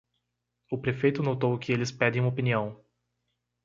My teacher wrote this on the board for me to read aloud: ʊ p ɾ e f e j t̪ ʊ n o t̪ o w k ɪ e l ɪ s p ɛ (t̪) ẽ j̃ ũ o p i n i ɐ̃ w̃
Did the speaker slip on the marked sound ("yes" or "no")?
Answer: yes